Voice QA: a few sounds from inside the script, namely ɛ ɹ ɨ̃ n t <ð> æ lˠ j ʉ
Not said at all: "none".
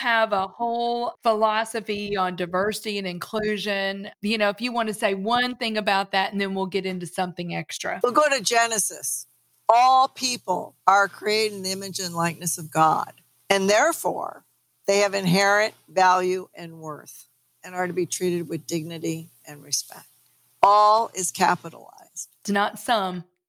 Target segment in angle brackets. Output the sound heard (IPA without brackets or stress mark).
v